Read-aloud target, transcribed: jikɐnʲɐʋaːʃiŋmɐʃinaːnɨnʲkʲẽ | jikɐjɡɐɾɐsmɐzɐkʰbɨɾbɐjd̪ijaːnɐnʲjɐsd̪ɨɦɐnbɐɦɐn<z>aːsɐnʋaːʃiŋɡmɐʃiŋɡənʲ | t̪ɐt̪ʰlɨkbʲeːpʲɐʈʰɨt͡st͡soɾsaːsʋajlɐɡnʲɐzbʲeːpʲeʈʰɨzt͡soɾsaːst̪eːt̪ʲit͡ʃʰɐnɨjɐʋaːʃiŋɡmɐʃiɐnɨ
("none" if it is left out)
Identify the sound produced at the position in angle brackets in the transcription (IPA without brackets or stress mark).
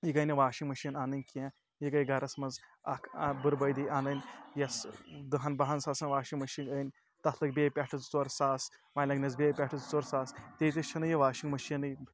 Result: s